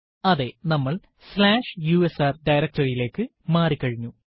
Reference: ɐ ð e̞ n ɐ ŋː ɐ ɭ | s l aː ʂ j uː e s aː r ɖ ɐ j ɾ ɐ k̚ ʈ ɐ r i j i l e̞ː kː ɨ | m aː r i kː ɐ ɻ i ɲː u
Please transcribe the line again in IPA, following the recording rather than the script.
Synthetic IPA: ɐ ð e̞ n ɐ mː ɐ ɭ | s l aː ʂ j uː e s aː r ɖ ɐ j ɾ ɐ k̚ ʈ ɐ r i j i l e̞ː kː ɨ | m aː r i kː ɐ ɻ i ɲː u